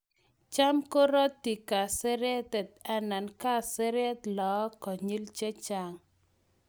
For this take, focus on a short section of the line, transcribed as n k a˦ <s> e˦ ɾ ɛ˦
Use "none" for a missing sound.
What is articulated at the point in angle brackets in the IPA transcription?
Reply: s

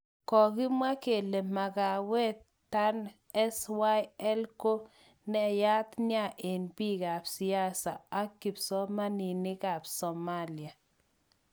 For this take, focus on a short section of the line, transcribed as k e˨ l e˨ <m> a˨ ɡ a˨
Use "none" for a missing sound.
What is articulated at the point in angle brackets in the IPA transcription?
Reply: m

